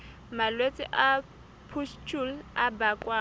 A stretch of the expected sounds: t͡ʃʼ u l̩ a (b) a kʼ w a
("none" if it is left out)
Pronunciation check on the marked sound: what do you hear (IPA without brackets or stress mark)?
b